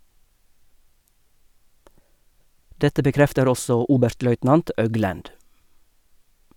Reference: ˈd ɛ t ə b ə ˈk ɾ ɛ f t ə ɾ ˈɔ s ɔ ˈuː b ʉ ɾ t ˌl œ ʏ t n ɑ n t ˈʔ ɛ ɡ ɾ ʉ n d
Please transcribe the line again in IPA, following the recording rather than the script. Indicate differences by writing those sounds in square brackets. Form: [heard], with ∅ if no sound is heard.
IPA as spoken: ˈd ɛ t ə b ə ˈk ɾ ɛ f t ə ɾ ˈɔ s ɔ ˈuː b ʉ ɾ t ˌl œ ʏ t n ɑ n t ˈʔ [œ] ɡ [l] ʉ n d